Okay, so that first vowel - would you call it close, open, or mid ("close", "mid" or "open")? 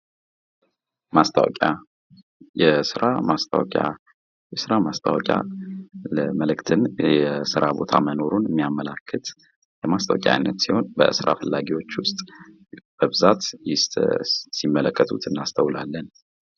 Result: open